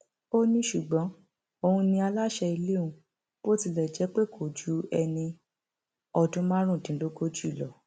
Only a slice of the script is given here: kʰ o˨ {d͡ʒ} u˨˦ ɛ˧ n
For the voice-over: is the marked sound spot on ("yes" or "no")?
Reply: yes